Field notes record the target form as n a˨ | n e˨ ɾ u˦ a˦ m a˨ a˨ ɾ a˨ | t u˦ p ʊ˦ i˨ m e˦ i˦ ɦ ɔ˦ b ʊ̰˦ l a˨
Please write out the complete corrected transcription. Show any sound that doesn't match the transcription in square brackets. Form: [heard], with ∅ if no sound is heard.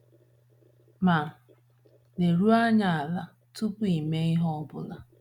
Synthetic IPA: [m] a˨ | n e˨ ɾ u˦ a˦ [ɲ] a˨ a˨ [l] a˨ | t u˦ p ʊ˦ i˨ m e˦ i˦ ɦ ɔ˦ b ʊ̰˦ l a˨